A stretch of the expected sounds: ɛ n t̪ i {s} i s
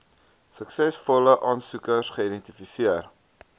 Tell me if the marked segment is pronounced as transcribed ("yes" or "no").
no